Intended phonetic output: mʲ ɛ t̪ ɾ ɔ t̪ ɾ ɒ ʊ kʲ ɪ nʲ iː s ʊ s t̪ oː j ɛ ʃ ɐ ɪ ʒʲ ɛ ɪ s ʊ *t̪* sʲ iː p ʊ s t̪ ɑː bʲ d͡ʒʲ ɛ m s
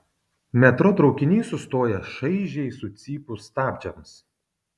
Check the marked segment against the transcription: correct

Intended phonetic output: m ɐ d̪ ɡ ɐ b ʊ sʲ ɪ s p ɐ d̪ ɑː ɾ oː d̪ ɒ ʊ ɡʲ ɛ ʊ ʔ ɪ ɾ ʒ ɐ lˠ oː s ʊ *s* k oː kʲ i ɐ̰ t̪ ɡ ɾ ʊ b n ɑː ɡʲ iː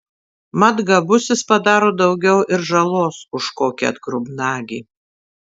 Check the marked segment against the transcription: incorrect: ʃ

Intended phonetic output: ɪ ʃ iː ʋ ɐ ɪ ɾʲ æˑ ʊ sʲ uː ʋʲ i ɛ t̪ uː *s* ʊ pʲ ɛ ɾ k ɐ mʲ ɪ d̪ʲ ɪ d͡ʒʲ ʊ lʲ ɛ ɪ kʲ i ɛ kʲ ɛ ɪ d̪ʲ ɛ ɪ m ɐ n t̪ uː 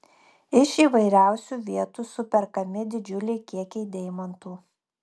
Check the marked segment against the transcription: correct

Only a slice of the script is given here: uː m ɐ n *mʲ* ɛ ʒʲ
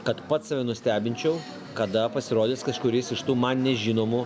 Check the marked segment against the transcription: incorrect: nʲ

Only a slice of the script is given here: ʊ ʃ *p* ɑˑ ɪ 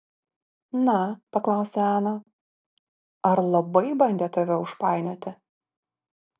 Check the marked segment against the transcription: correct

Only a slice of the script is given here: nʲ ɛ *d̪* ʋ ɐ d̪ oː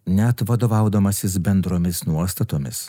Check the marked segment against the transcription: incorrect: t̪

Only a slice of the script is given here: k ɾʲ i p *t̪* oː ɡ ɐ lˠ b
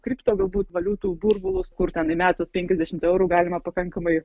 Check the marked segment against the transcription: correct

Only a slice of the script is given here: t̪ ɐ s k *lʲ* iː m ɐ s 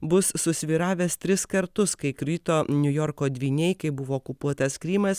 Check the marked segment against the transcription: incorrect: ɾʲ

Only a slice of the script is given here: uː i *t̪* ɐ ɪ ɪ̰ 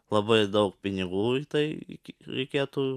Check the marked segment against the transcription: correct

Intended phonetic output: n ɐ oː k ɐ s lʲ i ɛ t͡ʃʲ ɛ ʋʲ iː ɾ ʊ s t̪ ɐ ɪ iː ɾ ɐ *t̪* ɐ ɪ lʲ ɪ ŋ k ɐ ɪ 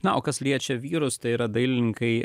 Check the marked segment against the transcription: incorrect: d̪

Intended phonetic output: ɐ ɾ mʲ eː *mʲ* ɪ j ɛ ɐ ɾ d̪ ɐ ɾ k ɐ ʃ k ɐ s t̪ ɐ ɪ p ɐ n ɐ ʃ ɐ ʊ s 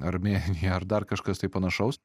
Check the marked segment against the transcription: incorrect: nʲ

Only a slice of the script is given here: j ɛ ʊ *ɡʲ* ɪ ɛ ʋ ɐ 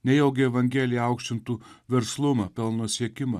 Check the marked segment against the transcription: correct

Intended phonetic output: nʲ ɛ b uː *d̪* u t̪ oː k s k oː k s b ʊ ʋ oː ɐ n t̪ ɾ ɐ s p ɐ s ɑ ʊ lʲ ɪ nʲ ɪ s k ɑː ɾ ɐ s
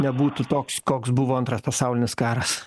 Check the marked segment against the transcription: incorrect: t̪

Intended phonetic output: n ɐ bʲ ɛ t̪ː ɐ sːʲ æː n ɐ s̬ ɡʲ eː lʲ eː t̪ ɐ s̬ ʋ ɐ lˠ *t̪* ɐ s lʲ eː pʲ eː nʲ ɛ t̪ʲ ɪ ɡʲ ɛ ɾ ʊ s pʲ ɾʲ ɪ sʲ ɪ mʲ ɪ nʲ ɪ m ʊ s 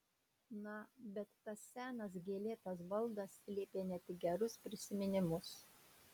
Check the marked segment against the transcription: incorrect: d̪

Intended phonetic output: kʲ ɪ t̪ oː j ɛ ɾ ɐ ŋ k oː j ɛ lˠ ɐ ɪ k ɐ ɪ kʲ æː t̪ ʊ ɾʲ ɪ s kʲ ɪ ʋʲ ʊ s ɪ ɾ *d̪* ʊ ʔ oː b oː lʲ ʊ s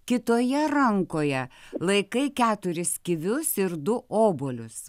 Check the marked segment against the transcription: correct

